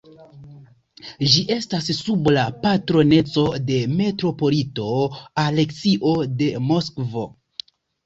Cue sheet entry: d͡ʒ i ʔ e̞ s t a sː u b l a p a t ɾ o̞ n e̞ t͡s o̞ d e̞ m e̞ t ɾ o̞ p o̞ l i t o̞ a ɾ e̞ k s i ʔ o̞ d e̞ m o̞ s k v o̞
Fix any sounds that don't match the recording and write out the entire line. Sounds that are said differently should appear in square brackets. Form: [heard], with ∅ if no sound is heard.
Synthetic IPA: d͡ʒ i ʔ e̞ s t a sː u b l a p a t ɾ o̞ n e̞ t͡s o̞ d e̞ m e̞ t ɾ o̞ p o̞ l i t o̞ a [l] e̞ k s i ʔ o̞ d e̞ m o̞ s k v o̞